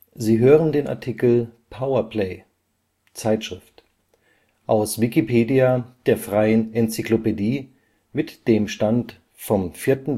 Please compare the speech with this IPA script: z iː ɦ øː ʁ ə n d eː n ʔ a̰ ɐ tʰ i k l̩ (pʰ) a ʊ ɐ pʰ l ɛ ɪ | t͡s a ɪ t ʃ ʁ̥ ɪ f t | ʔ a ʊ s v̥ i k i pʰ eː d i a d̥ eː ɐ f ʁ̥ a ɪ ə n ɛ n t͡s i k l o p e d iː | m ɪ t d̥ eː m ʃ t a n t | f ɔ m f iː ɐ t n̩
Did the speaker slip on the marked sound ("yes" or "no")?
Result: no